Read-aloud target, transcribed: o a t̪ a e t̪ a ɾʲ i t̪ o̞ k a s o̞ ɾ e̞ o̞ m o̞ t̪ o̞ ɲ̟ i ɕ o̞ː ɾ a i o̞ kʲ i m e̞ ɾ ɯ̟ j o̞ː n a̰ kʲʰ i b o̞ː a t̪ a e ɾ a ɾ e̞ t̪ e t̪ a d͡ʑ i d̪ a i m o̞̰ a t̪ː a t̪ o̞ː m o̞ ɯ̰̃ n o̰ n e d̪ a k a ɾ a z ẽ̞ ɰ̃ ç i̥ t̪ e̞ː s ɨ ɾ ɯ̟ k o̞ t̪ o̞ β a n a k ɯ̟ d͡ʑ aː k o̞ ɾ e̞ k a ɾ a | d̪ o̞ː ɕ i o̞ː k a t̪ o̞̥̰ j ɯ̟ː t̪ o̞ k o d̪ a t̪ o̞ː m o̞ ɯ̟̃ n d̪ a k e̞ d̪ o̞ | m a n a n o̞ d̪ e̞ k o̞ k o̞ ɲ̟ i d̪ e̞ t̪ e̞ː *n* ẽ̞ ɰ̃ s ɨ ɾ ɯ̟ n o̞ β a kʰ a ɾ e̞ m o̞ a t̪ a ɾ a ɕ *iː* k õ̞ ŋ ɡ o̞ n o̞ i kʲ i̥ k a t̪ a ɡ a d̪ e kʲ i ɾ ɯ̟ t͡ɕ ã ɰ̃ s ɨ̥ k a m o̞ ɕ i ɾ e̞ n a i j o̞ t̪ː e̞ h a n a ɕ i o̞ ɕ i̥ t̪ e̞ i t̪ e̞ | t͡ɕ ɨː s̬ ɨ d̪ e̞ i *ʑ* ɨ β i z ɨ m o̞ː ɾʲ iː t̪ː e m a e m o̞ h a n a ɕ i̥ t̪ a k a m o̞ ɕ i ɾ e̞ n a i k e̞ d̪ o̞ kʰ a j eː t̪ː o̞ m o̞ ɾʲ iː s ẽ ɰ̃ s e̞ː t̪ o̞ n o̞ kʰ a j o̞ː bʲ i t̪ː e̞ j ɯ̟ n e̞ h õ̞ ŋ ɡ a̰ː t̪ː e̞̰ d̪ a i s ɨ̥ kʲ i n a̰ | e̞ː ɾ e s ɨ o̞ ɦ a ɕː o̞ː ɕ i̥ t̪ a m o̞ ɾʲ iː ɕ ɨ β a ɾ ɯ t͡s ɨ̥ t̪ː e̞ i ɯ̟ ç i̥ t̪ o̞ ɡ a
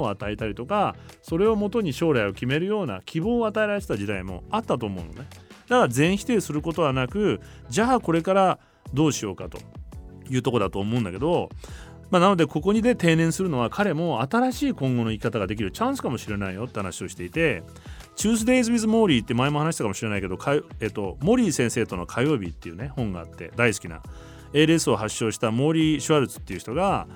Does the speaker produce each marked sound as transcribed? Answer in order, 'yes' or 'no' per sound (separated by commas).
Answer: yes, yes, no